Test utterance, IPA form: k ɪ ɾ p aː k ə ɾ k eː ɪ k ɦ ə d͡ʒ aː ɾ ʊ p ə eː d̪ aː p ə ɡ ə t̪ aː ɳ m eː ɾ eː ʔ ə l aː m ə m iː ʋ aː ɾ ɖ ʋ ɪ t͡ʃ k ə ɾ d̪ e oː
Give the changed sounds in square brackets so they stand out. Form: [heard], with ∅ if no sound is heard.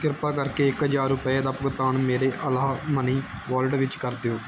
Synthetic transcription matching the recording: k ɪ ɾ p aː k ə ɾ k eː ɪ k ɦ ə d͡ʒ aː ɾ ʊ p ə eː d̪ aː p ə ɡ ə t̪ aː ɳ m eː ɾ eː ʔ ə l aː m ə [n] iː ʋ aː [l] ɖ ʋ ɪ t͡ʃ k ə ɾ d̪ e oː